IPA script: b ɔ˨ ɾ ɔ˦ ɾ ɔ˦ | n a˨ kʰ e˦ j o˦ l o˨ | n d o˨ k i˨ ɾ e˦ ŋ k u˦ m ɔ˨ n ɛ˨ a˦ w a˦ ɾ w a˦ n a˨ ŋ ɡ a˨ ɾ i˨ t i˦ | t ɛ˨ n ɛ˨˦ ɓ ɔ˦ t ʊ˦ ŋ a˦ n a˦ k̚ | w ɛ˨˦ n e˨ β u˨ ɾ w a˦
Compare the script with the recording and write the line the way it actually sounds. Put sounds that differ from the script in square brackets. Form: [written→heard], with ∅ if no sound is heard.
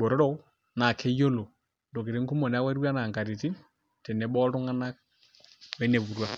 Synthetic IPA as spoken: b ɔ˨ ɾ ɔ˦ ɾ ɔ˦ | n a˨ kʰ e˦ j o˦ l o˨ | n d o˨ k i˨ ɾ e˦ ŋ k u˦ m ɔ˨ n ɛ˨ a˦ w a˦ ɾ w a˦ n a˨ ŋ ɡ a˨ ɾ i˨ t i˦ | t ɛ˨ n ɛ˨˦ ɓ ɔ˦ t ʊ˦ ŋ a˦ n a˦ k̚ | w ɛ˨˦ n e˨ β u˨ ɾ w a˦